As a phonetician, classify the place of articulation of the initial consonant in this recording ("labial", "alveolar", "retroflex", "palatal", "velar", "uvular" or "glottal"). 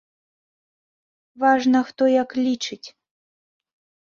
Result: labial